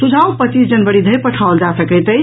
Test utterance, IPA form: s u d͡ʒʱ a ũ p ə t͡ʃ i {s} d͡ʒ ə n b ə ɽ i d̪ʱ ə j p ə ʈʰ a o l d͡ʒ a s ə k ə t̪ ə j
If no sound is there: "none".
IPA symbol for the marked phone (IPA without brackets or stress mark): s